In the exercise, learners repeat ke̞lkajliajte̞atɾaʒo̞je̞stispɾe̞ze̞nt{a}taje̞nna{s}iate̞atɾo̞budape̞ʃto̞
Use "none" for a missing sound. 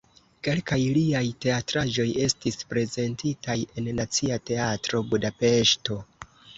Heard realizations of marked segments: i, t͡s

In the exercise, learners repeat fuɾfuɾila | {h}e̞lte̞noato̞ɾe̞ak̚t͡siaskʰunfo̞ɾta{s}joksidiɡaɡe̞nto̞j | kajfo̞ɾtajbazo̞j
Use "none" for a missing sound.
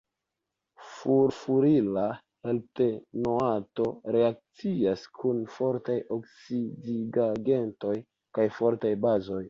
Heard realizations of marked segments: h, none

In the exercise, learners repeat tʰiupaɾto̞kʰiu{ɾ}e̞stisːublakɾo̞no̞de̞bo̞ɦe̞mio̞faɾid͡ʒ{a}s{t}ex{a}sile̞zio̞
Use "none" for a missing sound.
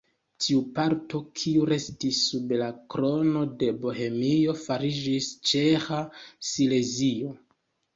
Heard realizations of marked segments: ɾ, i, t͡ʃ, a

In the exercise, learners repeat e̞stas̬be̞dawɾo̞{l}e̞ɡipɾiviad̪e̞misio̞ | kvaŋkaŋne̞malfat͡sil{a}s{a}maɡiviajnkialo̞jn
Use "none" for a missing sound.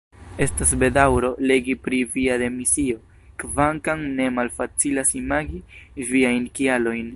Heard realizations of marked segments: l, a, i

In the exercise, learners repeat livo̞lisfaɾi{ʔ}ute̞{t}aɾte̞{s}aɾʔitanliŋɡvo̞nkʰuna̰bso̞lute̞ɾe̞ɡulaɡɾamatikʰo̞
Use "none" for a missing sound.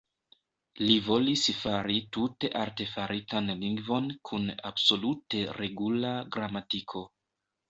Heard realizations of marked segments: t, ʔ, f

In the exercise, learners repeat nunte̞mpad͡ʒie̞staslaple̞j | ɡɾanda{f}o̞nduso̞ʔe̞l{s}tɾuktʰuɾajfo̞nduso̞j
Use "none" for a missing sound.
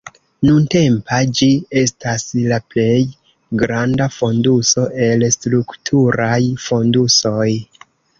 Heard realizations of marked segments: f, s

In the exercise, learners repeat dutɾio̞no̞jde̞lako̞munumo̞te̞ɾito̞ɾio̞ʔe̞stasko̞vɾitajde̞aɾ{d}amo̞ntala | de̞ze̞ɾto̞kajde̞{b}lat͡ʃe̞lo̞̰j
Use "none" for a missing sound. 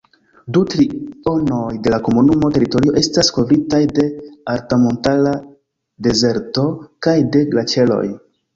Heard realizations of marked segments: t, ɡ

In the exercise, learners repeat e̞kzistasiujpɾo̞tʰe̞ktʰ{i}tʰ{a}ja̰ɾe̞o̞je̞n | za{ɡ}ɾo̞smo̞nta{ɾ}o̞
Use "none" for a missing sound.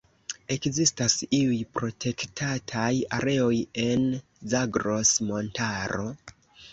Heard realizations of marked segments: a, a, ɡ, ɾ

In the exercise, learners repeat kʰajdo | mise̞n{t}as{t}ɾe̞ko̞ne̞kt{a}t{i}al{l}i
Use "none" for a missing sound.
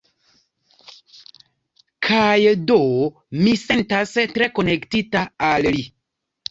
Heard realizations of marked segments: t, t, i, a, l

